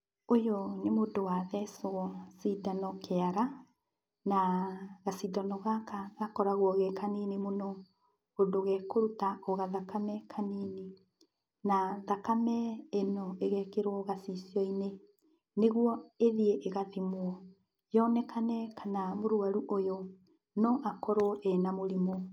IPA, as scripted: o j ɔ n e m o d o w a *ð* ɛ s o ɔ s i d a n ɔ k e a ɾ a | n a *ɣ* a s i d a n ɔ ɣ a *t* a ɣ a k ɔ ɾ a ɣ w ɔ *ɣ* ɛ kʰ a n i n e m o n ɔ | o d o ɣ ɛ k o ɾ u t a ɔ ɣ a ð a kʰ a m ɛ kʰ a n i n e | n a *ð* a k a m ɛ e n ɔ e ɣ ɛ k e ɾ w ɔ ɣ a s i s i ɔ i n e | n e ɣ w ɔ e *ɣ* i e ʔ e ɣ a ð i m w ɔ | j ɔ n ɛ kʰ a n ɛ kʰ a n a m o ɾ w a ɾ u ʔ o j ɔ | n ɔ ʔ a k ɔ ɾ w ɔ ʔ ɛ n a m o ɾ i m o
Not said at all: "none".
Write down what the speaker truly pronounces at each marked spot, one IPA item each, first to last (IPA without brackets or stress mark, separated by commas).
ð, ɣ, k, ɣ, ð, ð